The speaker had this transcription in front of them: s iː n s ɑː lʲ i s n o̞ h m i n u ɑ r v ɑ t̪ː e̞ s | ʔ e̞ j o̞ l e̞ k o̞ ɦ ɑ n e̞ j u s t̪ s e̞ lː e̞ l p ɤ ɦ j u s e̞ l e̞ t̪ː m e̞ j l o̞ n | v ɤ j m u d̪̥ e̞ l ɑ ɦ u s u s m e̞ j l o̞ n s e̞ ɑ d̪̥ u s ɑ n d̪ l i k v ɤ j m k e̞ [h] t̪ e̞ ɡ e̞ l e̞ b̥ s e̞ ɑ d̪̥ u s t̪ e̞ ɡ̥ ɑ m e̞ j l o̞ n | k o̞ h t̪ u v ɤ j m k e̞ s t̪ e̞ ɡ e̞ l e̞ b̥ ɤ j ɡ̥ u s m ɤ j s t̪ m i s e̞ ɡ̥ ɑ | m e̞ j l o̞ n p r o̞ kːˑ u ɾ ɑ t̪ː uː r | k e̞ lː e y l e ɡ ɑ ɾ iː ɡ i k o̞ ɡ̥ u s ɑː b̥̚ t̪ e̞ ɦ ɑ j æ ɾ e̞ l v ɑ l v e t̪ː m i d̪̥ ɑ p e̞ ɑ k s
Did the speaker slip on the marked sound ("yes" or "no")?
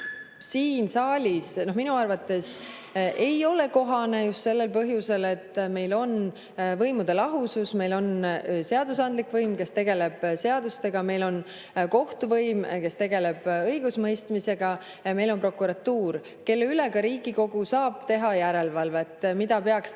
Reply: yes